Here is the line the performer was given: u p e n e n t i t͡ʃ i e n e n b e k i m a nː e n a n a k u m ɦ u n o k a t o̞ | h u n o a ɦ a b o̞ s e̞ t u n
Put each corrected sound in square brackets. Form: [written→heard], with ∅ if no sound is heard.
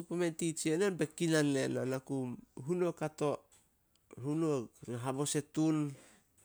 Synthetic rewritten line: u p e [n→m] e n t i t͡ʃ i e n e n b e k i [m→n] a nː e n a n a k u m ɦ u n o k a t o̞ | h u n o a ɦ a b o̞ s e̞ t u n